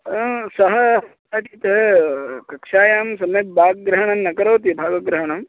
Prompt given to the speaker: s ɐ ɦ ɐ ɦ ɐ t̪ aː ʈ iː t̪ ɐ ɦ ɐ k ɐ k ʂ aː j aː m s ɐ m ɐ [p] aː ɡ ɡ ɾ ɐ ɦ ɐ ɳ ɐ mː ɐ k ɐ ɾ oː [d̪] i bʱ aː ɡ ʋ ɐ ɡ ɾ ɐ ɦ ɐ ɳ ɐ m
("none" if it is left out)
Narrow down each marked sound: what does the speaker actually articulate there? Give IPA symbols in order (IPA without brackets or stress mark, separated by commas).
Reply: b, t̪